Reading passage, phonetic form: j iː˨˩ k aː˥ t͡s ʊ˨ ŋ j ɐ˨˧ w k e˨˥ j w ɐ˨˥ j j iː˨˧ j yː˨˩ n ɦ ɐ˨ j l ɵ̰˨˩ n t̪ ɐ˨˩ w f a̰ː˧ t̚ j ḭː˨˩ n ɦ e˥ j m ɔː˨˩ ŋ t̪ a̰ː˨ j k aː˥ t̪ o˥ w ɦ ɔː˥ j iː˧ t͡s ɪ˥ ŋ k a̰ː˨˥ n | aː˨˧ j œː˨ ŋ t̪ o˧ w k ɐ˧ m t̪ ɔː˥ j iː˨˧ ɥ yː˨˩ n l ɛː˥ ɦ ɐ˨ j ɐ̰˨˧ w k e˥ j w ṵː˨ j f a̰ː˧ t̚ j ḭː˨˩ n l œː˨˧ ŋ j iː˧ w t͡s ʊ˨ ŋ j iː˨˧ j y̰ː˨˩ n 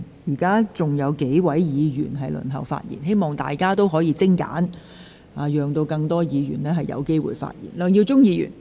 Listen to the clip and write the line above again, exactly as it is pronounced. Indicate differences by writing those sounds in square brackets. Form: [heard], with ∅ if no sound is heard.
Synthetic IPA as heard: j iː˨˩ k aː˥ t͡s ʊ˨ ŋ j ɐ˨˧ w k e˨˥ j w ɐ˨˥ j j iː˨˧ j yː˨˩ n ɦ ɐ˨ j l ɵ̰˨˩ n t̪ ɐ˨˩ w f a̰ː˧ t̚ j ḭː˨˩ n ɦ e˥ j m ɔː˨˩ ŋ t̪ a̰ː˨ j k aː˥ t̪ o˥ w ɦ [ɔː˨˥] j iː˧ t͡s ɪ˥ ŋ k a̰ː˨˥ n | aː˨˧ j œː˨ ŋ t̪ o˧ w k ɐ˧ [ŋ] t̪ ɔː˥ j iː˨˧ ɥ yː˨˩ n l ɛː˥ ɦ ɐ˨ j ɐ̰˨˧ w k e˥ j w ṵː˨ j f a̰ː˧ t̚ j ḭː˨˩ n l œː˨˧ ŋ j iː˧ w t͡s [ʊ˥] ŋ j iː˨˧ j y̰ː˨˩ n

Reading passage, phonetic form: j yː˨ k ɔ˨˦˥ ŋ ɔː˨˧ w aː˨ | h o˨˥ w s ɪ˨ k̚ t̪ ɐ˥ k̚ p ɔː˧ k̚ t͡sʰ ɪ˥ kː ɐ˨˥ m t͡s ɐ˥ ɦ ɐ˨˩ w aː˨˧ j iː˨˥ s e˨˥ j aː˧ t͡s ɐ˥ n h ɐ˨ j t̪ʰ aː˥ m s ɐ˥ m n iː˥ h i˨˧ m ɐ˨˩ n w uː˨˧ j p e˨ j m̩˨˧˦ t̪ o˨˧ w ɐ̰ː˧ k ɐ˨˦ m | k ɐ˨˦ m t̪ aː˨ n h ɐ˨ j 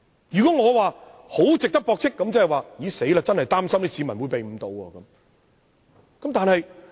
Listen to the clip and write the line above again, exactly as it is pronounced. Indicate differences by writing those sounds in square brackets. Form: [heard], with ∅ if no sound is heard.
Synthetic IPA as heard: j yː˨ k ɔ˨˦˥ ŋ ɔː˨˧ w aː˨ | h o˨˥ w [t͡s] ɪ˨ k̚ t̪ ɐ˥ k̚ p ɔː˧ k̚ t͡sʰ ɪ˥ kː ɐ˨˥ m t͡s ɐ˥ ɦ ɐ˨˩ w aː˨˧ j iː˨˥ s e˨˥ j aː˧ t͡s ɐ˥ n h ɐ˨ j [t̪] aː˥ m s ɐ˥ m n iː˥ [s] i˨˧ m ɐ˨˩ n w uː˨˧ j p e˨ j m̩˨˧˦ t̪ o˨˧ w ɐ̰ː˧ k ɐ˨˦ m | k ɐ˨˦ m t̪ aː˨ n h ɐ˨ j

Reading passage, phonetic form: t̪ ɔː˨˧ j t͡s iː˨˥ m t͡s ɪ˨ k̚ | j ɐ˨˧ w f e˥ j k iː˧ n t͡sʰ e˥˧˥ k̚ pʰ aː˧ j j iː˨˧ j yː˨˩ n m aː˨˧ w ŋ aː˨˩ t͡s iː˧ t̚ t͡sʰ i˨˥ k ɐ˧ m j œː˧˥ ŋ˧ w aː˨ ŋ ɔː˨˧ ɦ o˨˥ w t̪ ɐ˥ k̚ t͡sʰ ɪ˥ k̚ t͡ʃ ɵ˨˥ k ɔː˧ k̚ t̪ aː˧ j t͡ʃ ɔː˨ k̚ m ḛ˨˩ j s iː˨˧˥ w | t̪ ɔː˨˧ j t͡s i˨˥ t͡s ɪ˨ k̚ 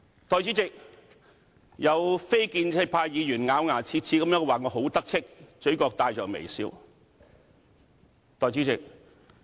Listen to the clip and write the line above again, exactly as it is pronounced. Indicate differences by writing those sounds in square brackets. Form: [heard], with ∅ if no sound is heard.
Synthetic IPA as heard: t̪ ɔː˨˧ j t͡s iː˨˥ [∅] t͡s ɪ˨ k̚ | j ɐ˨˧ w f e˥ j k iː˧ n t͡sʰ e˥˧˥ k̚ pʰ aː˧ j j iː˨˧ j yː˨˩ n [ŋ] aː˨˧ w ŋ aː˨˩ [t͡sʰ] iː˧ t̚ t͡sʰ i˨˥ k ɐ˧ m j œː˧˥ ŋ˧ w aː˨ ŋ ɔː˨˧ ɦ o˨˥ w t̪ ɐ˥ k̚ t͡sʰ ɪ˥ k̚ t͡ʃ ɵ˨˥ k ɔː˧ k̚ t̪ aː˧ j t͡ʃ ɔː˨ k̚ m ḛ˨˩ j s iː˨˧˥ w | t̪ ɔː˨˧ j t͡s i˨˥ t͡s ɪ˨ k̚

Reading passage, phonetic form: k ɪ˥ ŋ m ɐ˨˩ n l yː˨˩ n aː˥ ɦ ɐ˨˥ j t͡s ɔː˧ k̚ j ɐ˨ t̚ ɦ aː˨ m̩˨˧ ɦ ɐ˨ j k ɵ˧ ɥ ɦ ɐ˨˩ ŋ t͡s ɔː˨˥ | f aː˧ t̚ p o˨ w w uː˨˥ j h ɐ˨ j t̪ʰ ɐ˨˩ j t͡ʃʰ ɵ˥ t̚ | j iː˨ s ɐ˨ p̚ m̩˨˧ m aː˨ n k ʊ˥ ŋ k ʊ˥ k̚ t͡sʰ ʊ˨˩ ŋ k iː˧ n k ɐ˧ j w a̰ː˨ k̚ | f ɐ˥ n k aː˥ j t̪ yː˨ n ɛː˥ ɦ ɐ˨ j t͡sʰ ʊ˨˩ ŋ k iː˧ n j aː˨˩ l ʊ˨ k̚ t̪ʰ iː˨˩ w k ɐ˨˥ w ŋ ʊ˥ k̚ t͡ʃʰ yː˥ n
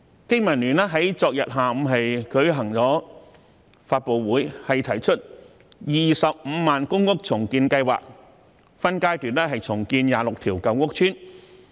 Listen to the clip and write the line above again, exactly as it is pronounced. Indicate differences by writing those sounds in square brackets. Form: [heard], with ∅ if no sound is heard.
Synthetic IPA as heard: k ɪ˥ ŋ m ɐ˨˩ n l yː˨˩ n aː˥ ɦ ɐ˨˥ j t͡s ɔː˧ k̚ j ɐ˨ t̚ ɦ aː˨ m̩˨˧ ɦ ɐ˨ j k [ɵ˨˥] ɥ ɦ ɐ˨˩ ŋ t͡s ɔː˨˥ | f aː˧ t̚ p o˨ w w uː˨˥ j h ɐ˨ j t̪ʰ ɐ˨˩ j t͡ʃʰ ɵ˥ t̚ | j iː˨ s ɐ˨ p̚ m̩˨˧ m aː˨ n k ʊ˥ ŋ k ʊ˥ k̚ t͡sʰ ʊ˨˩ ŋ k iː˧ n k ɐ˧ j w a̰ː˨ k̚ | f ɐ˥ n k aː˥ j t̪ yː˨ n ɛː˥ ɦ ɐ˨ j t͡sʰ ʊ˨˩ ŋ k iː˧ n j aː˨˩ l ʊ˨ k̚ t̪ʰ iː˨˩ w k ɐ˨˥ w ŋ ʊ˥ k̚ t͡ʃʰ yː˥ n

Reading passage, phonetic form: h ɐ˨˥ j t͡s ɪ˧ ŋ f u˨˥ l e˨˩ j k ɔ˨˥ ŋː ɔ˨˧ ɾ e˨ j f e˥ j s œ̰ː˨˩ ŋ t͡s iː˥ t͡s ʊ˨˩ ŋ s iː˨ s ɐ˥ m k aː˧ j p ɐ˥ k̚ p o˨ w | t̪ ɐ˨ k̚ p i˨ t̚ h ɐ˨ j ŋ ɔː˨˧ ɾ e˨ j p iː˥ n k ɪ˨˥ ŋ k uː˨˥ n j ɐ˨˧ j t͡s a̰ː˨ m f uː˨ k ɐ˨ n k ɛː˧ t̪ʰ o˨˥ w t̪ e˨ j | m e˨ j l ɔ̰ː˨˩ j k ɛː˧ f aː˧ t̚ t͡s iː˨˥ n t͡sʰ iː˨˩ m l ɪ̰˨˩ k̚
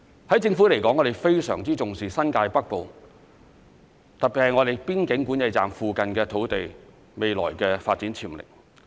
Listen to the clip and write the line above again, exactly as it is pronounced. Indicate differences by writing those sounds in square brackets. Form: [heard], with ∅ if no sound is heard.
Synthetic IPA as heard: h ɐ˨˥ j t͡s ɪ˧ ŋ f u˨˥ l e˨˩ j k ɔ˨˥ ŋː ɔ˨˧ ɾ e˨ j f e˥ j s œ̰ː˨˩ ŋ t͡s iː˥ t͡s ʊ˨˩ ŋ s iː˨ s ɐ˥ [n] k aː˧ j p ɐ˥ k̚ p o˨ w | t̪ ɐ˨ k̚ p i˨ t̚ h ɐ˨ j ŋ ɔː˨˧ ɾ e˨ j p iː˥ n k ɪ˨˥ ŋ k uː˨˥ n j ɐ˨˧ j t͡s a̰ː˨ m f uː˨ k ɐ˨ n k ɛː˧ t̪ʰ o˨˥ w t̪ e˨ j | m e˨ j l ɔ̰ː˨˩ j k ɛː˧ f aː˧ t̚ t͡s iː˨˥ n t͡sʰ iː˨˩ m l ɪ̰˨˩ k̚

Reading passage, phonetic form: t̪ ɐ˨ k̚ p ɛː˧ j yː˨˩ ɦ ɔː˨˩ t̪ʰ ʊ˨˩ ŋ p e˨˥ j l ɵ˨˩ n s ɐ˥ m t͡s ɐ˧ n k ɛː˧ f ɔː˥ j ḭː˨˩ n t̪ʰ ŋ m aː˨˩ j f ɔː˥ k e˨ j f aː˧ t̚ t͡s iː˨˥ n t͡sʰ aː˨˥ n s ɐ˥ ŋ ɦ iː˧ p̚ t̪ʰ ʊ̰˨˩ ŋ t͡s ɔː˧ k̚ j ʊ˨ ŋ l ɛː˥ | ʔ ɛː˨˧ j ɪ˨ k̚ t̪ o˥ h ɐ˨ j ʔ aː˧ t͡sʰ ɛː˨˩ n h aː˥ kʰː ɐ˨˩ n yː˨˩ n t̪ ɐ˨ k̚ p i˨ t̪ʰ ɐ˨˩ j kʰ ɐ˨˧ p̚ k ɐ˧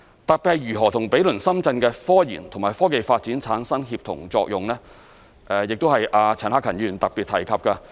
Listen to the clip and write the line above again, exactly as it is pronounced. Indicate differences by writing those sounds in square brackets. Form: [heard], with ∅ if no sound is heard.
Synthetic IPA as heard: t̪ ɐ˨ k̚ p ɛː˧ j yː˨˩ ɦ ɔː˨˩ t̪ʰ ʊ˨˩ ŋ p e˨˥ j l ɵ˨˩ n s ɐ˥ m t͡s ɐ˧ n k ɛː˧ f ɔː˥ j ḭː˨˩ n t̪ʰ ŋ m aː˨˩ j f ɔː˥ k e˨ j f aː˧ t̚ t͡s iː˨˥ n t͡sʰ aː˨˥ n s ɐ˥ ŋ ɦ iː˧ p̚ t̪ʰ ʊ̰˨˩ ŋ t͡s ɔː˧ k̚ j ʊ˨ ŋ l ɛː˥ | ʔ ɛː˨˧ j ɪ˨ k̚ t̪ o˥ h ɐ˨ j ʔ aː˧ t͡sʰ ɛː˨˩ n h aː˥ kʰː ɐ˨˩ n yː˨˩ n t̪ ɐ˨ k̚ p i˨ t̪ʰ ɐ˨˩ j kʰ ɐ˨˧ p̚ k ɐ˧

